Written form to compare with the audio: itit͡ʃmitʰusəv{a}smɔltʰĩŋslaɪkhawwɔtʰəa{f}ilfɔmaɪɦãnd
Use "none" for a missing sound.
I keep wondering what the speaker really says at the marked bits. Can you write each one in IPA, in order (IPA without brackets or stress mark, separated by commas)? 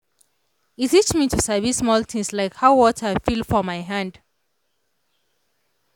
i, f